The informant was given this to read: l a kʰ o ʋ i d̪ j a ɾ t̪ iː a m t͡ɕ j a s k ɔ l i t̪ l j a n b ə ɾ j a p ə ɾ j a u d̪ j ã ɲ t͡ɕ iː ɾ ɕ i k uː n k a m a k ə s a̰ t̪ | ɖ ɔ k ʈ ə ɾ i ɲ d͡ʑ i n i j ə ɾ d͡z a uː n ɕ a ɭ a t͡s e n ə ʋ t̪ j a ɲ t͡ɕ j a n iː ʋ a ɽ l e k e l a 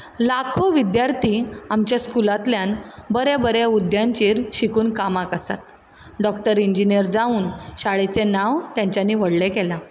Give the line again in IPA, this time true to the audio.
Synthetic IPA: l a kʰ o ʋ i d̪ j a ɾ t̪ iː a m t͡ɕ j a s k u l a t̪ l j a n b ə ɾ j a b ə ɾ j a u d̪ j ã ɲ t͡ɕ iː ɾ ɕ i k uː n k a m a k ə s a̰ t̪ | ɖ ɔ k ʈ ə ɾ i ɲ d͡ʑ i n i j ə ɾ d͡z a uː n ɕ a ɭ e t͡s e n a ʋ t̪ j a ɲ t͡ɕ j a n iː ʋ ə ɽ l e k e l a